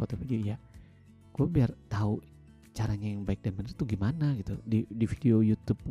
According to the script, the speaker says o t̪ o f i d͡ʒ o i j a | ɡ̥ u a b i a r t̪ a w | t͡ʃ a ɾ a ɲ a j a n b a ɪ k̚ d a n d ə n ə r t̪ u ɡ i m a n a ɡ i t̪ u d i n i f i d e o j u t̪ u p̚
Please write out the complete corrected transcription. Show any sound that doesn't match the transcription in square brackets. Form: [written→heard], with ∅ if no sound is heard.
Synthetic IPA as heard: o t̪ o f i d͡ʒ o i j a | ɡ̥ u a b i a r t̪ a [w→u] | t͡ʃ a ɾ a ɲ a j a [n→ŋ] b a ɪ k̚ d a n [d→b] ə n ə r t̪ u ɡ i m a n a ɡ i t̪ u d i [n→d] i f i d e o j u t̪ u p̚